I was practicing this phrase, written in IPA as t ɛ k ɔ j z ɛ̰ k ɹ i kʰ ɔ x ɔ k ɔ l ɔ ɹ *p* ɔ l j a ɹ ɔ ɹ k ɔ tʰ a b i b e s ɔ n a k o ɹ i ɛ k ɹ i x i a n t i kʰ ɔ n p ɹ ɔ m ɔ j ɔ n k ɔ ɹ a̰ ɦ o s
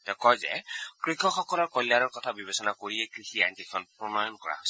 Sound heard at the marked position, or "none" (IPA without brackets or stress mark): k